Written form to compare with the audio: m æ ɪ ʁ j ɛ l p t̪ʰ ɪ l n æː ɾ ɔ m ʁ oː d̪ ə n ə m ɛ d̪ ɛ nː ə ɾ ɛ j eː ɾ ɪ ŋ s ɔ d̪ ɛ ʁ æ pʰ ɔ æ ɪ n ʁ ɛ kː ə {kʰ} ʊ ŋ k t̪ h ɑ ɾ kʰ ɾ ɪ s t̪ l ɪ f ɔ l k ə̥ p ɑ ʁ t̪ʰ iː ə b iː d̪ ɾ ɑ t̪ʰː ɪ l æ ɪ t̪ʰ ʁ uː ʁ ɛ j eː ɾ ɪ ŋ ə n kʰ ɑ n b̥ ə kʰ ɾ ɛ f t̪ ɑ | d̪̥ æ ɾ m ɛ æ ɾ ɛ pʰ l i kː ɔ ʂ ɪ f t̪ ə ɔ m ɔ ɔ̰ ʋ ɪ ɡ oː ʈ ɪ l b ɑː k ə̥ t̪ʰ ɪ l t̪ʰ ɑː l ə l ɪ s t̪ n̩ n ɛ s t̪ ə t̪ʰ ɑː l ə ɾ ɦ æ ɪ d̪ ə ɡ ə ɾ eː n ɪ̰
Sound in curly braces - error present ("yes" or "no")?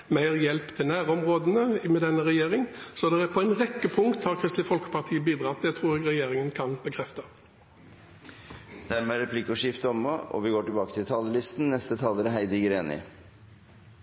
yes